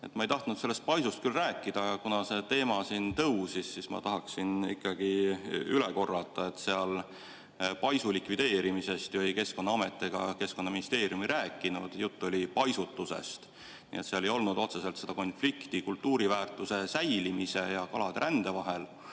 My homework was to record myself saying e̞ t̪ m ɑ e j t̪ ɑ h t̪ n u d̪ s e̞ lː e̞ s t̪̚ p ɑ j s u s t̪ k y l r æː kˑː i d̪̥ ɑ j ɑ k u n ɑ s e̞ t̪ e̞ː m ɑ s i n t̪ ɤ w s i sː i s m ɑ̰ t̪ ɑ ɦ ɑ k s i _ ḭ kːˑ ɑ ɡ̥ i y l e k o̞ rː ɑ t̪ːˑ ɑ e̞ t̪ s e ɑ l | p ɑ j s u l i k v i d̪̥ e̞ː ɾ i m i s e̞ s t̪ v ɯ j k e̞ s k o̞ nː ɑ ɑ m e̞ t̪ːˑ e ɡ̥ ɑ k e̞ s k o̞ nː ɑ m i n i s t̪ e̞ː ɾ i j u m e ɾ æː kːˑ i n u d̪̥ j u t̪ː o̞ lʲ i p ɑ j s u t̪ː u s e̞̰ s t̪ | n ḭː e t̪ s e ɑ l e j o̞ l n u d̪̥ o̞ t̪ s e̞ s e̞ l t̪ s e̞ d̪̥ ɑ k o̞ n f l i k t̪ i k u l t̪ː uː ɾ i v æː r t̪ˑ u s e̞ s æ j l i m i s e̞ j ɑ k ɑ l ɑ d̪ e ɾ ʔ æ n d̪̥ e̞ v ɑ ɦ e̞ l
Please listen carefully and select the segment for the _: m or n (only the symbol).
n